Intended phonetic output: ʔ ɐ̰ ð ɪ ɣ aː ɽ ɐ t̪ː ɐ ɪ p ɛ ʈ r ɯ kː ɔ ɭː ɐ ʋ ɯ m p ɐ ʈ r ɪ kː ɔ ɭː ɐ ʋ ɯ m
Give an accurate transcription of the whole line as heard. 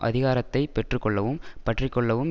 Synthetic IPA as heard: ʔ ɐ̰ ð ɪ ɣ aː ɾ ɐ t̪ː ɐ ɪ p ɛ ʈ r ɯ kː ɔ ɭː ɐ ʋ ɯ m p ɐ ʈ r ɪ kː ɔ ɭː ɐ ʋ ɯ m